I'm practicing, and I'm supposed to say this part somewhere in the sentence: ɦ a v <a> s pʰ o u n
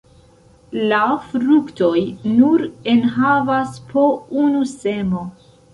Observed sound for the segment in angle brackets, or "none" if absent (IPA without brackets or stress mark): a